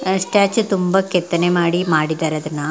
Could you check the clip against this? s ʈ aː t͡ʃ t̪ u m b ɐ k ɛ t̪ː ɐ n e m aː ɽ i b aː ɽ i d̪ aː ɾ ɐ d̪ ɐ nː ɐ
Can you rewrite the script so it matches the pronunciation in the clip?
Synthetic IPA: s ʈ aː t͡ʃ t̪ u m b ɐ k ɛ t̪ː ɐ n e m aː ɽ i m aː ɽ i d̪ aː ɾ ɐ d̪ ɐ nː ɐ

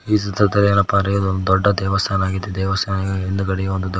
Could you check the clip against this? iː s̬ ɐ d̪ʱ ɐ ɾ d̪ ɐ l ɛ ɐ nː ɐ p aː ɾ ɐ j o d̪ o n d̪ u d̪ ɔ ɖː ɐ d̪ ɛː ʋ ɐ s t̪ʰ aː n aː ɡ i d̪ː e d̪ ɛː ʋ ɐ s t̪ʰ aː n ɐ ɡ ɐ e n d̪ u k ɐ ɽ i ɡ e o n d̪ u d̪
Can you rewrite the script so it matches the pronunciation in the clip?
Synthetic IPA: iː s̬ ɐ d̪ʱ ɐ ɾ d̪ ɐ l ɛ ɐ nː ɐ p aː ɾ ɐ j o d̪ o n d̪ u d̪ ɔ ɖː ɐ d̪ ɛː ʋ ɐ s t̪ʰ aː n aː ɡ i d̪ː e d̪ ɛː ʋ ɐ s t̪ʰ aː n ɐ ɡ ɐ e n d̪ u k ɐ ɽ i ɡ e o n d̪ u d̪

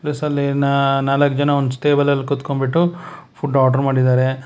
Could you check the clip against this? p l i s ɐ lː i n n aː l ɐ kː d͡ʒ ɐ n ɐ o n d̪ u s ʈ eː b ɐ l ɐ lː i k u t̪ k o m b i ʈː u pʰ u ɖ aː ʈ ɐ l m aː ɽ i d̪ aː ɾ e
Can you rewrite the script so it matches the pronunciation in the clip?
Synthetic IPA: p l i s ɐ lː i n n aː l ɐ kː d͡ʒ ɐ n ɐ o n d̪ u s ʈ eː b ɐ l ɐ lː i k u t̪ k o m b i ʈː u pʰ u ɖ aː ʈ ɐ ɾ m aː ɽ i d̪ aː ɾ e

